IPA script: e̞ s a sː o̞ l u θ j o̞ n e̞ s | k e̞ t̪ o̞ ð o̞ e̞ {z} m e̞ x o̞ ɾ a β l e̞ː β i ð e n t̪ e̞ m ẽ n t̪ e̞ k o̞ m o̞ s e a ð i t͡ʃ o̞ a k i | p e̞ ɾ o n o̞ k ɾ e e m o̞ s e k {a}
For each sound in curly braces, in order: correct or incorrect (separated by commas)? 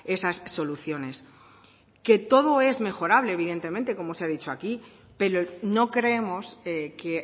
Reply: correct, incorrect